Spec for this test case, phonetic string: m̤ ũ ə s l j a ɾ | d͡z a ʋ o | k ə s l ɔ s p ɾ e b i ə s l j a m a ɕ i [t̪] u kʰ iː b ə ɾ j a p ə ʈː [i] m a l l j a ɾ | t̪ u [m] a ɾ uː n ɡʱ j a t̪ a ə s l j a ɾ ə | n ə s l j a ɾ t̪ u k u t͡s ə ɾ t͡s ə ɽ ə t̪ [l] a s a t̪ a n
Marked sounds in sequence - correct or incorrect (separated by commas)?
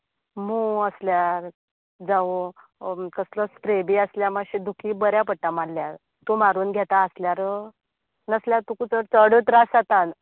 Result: incorrect, incorrect, correct, incorrect